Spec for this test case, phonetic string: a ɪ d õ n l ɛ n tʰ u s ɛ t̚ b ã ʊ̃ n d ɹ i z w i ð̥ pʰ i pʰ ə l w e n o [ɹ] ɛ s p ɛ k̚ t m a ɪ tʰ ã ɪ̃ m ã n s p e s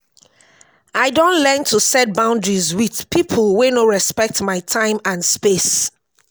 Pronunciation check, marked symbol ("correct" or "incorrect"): correct